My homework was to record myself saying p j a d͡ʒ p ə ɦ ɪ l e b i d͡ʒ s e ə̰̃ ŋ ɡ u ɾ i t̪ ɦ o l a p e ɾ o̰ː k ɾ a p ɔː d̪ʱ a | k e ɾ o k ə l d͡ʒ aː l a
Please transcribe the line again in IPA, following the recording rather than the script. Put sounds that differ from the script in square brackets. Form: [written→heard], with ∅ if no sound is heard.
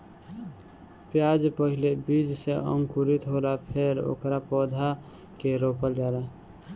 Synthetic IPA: p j a d͡ʒ p ə ɦ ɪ l e b i d͡ʒ s e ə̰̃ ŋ [ɡ→k] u ɾ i t̪ ɦ o l a [p→pʰ] e ɾ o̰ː k ɾ a p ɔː d̪ʱ a | k e ɾ o [k→p] ə l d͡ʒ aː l a